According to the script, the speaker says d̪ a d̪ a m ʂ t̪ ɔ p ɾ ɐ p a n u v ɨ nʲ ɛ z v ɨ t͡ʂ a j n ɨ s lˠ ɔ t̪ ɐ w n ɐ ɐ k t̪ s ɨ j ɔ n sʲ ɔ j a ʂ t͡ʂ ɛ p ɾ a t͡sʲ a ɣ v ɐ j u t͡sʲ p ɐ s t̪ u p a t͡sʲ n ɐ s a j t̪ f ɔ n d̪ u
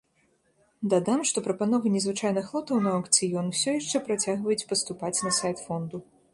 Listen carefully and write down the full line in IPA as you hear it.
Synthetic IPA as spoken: d̪ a d̪ a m ʂ t̪ ɔ p ɾ ɐ p a n ɔ v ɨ nʲ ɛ z v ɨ t͡ʂ a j n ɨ x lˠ ɔ t̪ ɐ w n ɐ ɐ k t̪ s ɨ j ɔ n sʲ ɔ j a ʂ t͡ʂ ɛ p ɾ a t͡sʲ a ɣ v ɐ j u t͡sʲ p ɐ s t̪ u p a t͡sʲ n ɐ s a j t̪ f ɔ n d̪ u